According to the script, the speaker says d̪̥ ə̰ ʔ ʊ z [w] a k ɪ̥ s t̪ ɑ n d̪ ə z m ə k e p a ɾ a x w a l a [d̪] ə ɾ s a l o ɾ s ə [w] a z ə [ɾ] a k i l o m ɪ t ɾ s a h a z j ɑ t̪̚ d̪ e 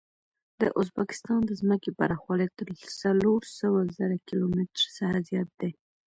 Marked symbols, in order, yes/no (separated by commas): no, no, yes, yes